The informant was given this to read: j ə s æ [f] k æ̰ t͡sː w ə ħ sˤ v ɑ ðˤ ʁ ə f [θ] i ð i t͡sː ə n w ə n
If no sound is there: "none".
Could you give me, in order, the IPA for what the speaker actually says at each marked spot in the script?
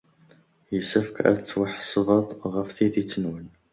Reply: f, θ

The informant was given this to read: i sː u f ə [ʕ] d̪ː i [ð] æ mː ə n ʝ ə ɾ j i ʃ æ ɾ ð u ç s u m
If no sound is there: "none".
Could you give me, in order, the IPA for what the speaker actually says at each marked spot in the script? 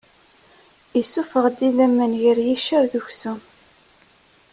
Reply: ʁ, ð

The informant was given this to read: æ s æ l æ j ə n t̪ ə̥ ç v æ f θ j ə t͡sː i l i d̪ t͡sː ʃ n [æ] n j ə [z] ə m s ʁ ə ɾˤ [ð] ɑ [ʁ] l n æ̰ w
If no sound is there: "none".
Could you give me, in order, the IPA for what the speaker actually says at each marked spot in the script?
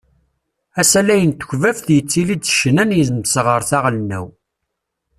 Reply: æ, z, θ, ʁ

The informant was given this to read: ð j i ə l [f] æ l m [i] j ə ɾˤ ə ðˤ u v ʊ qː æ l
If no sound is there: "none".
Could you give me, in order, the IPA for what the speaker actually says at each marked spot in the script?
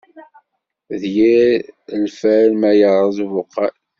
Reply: f, æ

